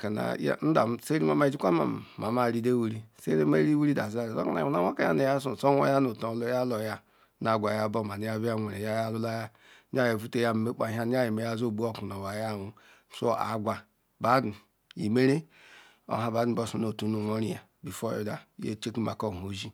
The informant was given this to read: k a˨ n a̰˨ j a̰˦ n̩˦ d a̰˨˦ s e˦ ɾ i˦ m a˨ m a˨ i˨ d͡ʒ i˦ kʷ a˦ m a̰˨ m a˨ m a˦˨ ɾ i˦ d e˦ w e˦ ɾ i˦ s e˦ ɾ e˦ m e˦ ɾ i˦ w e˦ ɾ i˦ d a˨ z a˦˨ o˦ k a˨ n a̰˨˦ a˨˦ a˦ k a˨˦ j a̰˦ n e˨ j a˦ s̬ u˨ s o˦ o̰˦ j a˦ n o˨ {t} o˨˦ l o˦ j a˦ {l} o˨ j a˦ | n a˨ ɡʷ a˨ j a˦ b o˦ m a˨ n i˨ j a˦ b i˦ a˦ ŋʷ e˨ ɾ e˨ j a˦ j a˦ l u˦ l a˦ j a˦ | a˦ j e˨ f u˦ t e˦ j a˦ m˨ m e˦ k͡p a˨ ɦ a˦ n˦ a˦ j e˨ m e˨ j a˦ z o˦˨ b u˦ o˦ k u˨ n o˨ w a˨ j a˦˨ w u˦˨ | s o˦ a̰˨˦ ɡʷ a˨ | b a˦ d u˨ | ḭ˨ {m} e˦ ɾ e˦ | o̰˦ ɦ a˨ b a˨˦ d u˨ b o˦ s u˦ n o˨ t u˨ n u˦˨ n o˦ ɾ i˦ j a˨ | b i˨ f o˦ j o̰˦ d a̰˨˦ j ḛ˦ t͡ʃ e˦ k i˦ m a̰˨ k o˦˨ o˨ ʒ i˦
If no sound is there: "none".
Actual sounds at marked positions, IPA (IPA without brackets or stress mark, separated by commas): t, l, m